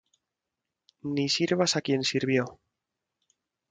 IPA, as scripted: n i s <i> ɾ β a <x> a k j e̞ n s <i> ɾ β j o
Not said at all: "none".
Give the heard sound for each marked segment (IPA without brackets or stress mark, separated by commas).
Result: i, s, i